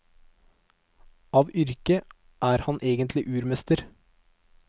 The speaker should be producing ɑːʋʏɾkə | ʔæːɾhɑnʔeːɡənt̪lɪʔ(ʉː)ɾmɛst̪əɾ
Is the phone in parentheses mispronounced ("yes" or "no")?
no